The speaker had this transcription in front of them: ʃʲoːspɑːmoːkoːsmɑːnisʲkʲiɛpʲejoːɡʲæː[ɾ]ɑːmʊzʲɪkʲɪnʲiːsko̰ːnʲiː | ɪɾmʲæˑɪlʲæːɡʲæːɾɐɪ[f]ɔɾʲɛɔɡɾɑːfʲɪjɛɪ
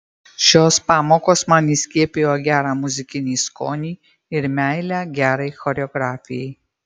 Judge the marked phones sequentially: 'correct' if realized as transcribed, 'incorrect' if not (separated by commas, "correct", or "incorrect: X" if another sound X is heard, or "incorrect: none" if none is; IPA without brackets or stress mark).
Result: correct, incorrect: x